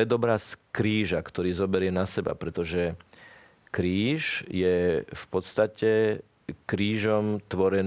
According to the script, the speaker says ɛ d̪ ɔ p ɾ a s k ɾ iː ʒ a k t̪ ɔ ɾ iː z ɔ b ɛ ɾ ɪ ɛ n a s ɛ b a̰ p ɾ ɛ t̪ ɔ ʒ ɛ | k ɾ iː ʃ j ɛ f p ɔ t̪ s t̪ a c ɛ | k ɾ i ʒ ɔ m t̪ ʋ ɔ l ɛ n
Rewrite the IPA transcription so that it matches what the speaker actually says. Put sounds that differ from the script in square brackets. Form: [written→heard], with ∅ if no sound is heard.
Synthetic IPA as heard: ɛ d̪ ɔ [p→b] ɾ a s k ɾ iː ʒ a k t̪ ɔ ɾ iː z ɔ b ɛ ɾ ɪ ɛ n a s ɛ b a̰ p ɾ ɛ t̪ ɔ ʒ ɛ | k ɾ iː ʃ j ɛ f p ɔ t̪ s t̪ a c ɛ | k ɾ [i→iː] ʒ ɔ m t̪ ʋ ɔ [l→ɾ] ɛ n